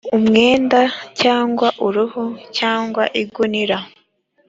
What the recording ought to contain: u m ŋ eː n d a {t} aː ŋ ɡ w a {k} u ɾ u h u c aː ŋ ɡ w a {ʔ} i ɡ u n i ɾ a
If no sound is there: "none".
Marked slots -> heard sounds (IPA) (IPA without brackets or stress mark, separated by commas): c, ʔ, ʔ